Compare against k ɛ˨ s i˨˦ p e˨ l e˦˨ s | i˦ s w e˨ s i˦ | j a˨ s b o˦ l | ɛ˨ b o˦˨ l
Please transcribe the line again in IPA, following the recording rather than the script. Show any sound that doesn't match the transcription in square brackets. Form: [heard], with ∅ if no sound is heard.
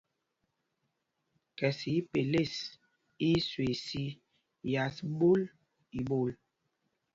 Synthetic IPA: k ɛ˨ s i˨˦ p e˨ l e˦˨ s | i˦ s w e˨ s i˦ | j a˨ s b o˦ l | [i˨] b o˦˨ l